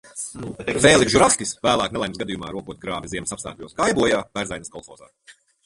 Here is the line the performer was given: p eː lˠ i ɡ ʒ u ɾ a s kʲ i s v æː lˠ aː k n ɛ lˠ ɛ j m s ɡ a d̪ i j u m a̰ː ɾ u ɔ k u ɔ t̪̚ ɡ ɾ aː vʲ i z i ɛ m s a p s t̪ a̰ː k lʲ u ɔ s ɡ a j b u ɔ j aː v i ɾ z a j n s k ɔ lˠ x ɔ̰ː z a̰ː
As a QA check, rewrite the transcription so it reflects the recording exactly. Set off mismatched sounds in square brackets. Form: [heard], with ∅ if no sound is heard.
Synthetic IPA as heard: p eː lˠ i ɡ ʒ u ɾ a s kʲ i s v æː lˠ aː k n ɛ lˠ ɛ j m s ɡ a d̪ i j u m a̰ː ɾ u ɔ k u ɔ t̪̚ ɡ ɾ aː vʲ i z i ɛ m s a p s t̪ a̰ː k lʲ u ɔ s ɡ a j b u ɔ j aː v [æ] ɾ z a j n s k ɔ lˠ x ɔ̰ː z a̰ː

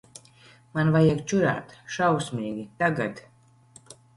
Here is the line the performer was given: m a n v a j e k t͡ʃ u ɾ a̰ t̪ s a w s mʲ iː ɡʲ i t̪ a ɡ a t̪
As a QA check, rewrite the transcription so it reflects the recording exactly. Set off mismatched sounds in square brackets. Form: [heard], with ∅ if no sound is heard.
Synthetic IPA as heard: m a n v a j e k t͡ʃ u ɾ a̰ t̪ [ʃ] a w s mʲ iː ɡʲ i t̪ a ɡ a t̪

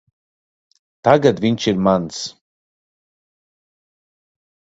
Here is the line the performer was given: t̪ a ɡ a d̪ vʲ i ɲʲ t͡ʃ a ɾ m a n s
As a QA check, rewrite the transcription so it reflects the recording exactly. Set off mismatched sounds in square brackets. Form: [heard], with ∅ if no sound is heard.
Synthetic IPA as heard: t̪ a ɡ a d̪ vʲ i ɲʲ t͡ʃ [i] ɾ m a n s

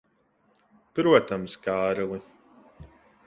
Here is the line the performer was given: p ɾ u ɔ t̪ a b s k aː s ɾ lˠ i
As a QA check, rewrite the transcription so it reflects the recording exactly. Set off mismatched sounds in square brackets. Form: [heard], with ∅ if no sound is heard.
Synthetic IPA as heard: p ɾ u ɔ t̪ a [m] s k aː [∅] ɾ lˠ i

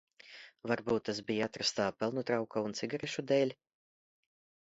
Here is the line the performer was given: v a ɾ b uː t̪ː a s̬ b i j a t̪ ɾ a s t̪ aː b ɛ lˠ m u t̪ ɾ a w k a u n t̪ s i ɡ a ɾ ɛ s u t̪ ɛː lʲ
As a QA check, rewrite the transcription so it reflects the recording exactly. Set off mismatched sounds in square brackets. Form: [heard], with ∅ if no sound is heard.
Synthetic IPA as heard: v a ɾ b uː t̪ː a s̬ b i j a t̪ ɾ a s t̪ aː [p] ɛ lˠ [n] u t̪ ɾ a w k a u n t̪ s i ɡ a ɾ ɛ [ʃ] u [d̪] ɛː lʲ

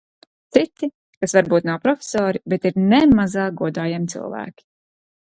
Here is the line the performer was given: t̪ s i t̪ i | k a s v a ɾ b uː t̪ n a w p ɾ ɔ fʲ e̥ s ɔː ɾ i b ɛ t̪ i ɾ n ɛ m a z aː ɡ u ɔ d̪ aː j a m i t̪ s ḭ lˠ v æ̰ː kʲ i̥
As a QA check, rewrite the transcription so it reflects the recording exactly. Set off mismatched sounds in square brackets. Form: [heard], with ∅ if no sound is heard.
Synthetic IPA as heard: t̪ s i t̪ i | k a s v a ɾ b uː t̪ n a w p ɾ ɔ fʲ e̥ s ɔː ɾ i b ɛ t̪ i ɾ n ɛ m a z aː ɡ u ɔ d̪ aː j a m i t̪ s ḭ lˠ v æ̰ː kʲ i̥

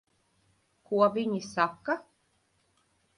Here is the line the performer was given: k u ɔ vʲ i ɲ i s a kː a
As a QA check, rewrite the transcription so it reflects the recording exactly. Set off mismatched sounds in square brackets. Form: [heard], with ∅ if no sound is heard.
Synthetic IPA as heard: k u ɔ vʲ i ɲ i s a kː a

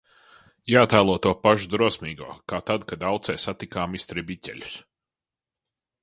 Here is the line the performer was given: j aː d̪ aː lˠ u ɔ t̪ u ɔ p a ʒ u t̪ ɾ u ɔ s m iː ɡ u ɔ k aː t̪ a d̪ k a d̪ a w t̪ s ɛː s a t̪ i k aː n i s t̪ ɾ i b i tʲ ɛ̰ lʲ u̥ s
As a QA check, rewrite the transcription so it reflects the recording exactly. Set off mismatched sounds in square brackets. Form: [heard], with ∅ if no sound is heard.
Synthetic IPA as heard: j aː [t̪] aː lˠ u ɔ t̪ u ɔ p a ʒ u [d̪] ɾ u ɔ s m iː ɡ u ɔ k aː t̪ a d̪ k a d̪ a w t̪ s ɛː s a t̪ i k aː [m] i s t̪ ɾ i b i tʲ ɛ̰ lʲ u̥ s

